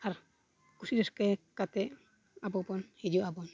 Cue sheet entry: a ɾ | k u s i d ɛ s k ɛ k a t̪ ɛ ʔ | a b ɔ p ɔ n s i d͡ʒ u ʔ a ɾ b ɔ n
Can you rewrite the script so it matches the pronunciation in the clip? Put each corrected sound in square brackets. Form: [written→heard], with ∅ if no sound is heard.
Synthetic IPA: a ɾ | k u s i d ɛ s k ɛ k a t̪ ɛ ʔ | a b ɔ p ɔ n [s→h] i d͡ʒ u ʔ a [ɾ→∅] b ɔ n